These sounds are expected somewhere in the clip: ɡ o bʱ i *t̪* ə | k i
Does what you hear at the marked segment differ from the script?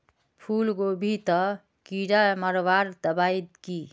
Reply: no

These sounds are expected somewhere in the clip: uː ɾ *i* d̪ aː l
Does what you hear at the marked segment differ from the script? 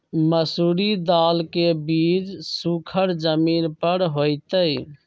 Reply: no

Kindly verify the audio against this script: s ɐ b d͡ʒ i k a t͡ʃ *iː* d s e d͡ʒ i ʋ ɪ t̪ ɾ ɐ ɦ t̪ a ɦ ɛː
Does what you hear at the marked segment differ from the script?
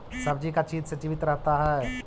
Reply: no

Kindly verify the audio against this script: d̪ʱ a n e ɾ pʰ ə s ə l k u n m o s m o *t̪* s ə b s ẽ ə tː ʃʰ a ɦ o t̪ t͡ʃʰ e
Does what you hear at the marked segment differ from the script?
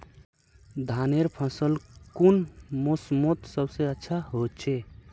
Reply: no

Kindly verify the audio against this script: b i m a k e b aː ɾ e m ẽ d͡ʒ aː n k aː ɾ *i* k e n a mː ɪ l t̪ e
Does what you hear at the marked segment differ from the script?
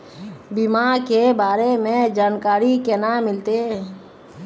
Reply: no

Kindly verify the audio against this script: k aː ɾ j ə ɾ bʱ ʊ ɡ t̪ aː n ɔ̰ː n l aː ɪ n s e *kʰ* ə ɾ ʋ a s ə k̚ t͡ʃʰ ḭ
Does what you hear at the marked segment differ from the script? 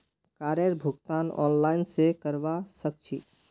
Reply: yes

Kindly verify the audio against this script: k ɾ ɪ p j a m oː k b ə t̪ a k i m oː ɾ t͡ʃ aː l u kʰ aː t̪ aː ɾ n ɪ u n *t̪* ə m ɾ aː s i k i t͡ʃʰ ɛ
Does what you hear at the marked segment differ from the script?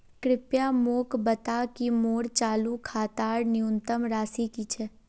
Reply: no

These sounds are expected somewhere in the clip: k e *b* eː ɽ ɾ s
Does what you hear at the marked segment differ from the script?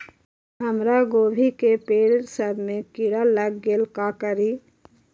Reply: yes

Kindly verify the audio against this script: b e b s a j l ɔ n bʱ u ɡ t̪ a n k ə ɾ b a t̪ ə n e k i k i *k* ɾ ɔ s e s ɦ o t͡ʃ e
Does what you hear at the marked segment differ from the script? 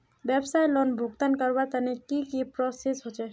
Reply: yes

